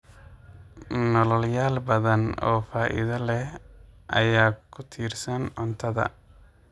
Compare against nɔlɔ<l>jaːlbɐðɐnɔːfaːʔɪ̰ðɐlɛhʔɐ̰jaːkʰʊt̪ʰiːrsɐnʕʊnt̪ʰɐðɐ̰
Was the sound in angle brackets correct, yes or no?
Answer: yes